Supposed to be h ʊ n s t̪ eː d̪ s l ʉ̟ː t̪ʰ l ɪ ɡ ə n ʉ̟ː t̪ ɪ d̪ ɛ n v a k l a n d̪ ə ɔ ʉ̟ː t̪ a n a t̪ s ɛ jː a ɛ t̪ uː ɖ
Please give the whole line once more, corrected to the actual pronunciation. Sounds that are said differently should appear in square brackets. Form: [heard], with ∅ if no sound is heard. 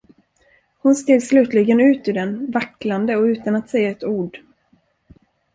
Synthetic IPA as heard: h ʊ n s t̪ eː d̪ s l ʉ̟ː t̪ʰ l ɪ ɡ ə n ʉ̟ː t̪ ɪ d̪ ɛ n v a k l a n d̪ ə ɔ ʉ̟ː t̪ a n a t̪ s ɛ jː a ɛ t̪ uː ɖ